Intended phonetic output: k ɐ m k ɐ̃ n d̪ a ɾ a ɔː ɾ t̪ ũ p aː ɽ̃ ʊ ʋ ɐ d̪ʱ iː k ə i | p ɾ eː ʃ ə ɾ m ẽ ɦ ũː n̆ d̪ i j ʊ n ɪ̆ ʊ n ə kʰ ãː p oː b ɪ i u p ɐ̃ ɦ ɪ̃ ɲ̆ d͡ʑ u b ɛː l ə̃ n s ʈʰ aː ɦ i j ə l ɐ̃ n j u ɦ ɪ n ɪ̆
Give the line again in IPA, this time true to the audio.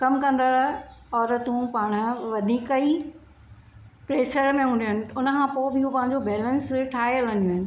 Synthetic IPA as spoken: k ɐ m k ɐ̃ n d̪ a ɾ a ɔː ɾ t̪ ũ p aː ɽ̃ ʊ ʋ ɐ d̪ʱ iː k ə i | p ɾ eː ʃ ə ɾ m ẽ ɦ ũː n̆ d̪ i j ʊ n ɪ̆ ʊ n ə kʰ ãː p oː b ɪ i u p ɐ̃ ɦ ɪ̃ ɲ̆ d͡ʑ o b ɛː l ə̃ n s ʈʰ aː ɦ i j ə l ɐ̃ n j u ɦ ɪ n ɪ̆